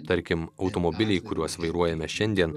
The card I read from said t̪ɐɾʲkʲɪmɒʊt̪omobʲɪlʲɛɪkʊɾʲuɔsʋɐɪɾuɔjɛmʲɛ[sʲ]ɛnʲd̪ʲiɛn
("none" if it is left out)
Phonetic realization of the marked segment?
ʃʲ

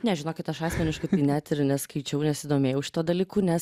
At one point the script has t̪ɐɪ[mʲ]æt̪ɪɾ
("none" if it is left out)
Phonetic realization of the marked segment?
nʲ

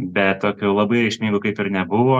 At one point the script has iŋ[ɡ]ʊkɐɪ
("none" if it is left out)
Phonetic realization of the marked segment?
ɡ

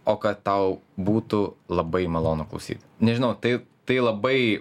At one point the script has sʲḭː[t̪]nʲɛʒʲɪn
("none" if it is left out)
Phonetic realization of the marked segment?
t̪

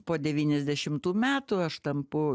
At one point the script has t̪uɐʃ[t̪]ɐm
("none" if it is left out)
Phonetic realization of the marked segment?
t̪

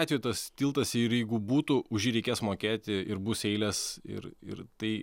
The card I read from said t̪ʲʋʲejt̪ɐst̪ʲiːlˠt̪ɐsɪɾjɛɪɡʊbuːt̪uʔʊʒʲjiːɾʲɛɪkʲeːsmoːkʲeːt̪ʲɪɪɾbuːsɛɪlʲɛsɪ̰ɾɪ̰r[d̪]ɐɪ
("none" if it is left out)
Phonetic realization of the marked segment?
t̪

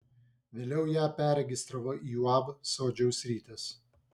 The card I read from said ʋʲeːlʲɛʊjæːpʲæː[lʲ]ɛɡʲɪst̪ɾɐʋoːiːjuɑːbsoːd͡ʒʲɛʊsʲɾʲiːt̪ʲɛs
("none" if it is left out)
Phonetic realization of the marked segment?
ɾʲ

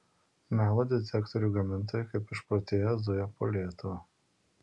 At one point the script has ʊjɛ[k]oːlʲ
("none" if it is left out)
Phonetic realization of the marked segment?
p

